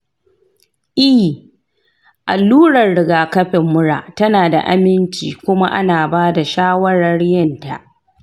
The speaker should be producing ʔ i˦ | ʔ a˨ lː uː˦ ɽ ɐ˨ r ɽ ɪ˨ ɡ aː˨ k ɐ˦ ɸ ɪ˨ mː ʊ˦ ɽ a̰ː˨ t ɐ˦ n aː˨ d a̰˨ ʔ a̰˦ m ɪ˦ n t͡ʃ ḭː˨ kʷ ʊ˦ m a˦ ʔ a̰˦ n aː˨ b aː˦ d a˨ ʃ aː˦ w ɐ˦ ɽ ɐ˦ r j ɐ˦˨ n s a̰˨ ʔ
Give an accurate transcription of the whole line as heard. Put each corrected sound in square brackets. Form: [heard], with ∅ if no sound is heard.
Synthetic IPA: ʔ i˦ | ʔ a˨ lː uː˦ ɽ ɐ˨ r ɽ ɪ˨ ɡ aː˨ k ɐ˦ ɸ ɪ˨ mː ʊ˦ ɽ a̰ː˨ t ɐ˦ n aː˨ d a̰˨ ʔ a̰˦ m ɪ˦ n t͡ʃ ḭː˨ kʷ ʊ˦ m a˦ ʔ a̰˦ n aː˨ b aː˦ d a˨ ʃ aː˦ w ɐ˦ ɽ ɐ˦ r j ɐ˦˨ n [t] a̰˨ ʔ